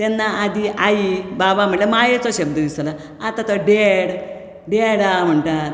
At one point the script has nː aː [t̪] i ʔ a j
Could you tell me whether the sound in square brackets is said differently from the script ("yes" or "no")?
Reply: yes